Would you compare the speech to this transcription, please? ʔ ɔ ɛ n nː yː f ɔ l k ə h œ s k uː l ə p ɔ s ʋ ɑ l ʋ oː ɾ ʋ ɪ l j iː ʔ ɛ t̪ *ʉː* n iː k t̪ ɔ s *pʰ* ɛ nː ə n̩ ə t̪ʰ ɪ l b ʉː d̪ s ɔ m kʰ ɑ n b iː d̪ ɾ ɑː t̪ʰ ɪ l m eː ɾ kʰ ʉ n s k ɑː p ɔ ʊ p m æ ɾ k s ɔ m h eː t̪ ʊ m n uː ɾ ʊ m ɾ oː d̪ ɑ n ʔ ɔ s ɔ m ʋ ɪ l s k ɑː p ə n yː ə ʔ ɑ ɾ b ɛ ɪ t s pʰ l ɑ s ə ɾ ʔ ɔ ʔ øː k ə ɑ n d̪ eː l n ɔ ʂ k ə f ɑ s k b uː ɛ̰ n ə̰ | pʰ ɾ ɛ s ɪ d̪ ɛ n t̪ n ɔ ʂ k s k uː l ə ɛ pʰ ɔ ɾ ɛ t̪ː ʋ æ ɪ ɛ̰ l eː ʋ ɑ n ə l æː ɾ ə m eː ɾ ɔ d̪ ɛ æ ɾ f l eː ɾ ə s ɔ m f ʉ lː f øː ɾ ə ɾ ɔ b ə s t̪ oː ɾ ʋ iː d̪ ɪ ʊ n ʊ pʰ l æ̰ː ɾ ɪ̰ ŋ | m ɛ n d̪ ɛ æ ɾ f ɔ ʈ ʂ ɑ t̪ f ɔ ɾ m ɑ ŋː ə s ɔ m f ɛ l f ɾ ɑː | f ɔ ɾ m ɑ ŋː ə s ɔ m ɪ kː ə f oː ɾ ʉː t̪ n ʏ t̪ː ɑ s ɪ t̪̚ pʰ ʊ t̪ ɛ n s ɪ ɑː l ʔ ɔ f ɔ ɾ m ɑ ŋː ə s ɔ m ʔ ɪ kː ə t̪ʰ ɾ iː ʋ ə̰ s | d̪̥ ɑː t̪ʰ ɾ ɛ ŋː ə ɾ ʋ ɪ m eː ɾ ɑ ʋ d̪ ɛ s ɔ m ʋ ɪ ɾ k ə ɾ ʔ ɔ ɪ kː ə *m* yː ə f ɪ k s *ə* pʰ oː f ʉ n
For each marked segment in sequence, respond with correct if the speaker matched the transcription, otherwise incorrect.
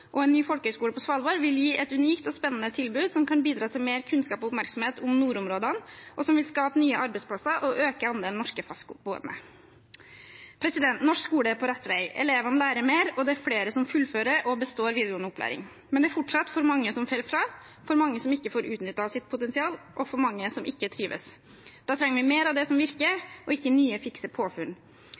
incorrect, incorrect, incorrect, correct

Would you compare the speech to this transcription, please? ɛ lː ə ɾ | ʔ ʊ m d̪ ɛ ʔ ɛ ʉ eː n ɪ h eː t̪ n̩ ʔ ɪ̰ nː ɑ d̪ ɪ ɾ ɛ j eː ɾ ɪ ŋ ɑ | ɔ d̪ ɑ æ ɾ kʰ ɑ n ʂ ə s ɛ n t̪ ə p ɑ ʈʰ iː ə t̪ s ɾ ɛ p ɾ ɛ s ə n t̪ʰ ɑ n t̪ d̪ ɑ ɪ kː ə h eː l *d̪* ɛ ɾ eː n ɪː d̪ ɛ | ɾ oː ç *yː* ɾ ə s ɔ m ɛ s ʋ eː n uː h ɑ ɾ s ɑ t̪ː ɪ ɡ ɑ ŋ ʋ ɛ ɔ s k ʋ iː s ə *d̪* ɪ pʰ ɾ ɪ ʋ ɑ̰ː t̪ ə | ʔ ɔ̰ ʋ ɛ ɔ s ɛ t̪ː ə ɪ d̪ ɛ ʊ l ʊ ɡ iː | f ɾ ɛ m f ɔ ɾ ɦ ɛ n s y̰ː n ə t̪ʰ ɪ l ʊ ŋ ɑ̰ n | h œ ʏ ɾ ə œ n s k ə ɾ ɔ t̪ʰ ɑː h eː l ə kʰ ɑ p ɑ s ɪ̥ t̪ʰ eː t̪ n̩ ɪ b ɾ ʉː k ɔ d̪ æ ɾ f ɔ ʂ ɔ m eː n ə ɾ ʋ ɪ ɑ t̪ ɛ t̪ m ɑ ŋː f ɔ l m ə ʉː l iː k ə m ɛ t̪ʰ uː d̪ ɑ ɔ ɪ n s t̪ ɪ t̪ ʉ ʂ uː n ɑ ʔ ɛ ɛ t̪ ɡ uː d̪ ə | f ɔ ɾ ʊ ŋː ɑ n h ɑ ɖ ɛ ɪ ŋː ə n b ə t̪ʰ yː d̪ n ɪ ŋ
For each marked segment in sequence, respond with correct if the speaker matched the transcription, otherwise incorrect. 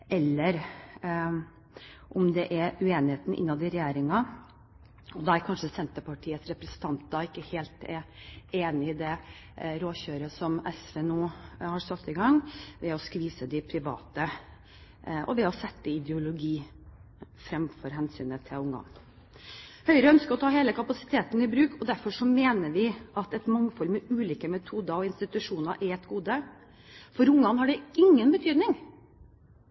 incorrect, incorrect, correct

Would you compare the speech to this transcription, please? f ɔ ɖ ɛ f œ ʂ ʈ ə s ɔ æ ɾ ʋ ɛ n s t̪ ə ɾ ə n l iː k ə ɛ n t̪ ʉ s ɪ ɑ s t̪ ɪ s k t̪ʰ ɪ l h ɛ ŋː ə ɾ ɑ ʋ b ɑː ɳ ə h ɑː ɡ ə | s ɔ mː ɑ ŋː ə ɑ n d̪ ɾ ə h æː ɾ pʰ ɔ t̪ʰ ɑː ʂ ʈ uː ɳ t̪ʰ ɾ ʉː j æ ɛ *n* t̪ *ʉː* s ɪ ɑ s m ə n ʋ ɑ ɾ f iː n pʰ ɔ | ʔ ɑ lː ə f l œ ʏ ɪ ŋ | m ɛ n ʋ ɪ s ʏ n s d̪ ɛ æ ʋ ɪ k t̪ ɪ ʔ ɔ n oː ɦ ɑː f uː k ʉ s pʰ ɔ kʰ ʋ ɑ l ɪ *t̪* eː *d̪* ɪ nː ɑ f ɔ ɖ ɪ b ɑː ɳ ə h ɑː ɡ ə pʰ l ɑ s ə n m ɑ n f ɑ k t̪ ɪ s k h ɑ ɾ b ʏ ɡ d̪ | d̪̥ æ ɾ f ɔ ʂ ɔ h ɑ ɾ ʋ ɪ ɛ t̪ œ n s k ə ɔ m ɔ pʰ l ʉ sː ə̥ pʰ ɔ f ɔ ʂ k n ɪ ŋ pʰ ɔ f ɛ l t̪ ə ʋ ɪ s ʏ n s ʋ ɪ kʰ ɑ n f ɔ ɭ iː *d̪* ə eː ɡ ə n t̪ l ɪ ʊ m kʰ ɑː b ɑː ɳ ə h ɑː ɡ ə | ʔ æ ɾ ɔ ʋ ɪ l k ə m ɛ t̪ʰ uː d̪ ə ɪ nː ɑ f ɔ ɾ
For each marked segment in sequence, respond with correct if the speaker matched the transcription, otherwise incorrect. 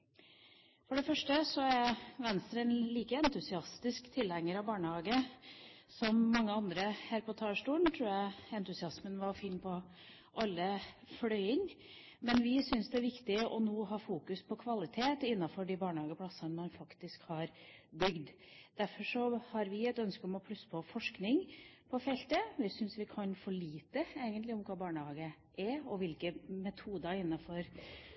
correct, incorrect, incorrect, incorrect, incorrect

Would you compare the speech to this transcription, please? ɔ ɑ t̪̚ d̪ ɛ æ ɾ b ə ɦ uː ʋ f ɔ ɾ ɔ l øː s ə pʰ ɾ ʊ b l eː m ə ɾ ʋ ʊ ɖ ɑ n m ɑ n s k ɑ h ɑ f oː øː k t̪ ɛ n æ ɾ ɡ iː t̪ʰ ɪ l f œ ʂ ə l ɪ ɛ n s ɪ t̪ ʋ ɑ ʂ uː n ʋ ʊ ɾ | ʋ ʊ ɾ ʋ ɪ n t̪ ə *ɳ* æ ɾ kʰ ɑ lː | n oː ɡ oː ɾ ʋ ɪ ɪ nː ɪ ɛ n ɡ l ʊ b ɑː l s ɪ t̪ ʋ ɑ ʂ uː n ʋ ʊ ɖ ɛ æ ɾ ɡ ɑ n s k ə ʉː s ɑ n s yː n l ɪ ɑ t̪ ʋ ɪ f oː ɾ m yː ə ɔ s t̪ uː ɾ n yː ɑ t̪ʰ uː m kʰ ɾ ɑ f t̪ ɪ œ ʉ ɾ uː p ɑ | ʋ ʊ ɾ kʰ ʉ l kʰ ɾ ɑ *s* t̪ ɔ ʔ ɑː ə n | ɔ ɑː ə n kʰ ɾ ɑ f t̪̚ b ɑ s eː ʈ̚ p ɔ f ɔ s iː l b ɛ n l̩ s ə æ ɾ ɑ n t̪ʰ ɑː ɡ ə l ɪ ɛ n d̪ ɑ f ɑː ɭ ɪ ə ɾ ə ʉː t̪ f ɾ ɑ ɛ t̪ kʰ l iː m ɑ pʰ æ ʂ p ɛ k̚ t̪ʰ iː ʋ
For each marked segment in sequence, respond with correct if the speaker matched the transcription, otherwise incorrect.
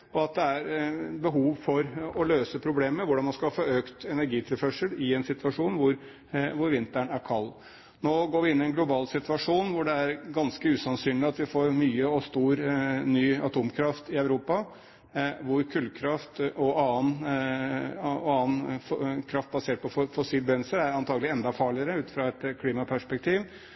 correct, incorrect

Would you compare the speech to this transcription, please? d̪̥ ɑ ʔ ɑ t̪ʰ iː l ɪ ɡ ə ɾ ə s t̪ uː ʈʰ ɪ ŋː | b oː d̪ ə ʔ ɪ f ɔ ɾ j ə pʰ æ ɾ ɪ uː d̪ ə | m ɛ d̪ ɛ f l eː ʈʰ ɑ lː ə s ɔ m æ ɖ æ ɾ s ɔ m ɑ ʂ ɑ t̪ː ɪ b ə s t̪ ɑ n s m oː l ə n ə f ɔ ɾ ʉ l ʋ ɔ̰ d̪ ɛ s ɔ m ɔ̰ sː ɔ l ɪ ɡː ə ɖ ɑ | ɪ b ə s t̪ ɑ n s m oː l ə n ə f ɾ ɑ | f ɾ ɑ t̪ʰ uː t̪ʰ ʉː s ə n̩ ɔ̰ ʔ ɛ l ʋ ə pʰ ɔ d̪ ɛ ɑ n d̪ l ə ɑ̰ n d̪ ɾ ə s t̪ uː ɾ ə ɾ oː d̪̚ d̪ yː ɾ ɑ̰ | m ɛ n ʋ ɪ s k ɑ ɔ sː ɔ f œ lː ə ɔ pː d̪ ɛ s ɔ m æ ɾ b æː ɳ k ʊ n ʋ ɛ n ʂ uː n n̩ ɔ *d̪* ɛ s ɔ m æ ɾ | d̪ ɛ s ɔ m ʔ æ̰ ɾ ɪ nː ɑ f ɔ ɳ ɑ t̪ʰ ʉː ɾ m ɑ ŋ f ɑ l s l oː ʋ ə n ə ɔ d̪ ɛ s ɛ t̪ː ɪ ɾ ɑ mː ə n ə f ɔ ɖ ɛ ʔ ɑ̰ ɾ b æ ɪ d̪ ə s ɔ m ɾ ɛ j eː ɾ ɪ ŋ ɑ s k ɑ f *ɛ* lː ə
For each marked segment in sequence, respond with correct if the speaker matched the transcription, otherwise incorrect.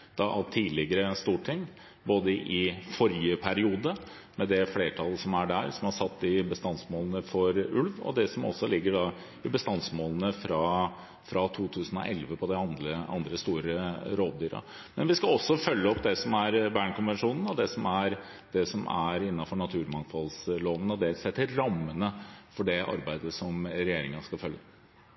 correct, incorrect

